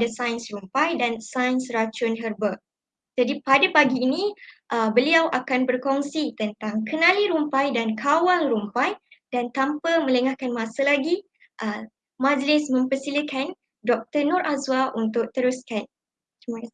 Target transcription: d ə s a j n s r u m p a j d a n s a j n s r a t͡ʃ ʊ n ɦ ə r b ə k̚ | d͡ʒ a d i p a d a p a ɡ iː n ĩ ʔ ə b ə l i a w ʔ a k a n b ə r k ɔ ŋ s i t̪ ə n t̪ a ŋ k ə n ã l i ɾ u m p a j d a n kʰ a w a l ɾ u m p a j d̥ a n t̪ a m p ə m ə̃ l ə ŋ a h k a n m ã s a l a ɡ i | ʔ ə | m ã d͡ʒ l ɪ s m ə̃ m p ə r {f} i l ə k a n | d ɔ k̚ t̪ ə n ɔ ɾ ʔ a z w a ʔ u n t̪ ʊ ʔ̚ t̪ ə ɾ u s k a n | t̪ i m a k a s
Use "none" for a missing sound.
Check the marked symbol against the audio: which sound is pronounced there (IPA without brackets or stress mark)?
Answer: s